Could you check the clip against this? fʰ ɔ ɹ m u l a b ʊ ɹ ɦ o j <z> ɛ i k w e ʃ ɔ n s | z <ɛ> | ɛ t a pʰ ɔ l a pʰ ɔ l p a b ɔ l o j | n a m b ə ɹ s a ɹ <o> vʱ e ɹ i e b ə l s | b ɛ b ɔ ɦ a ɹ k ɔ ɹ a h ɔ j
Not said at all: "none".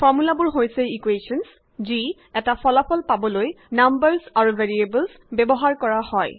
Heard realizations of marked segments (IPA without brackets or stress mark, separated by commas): s, i, u